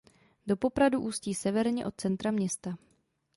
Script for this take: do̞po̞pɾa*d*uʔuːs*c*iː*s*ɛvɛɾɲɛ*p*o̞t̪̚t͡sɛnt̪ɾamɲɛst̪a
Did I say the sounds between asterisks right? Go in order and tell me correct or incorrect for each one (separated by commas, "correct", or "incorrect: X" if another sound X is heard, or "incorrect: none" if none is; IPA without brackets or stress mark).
correct, correct, correct, incorrect: ʔ